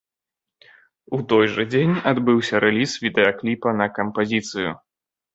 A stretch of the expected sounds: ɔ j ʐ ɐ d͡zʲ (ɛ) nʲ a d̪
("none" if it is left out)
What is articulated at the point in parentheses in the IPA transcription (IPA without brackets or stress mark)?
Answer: e